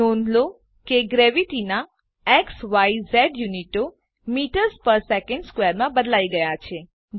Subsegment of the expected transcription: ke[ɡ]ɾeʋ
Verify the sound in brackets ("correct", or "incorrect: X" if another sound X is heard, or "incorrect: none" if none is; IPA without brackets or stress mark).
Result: correct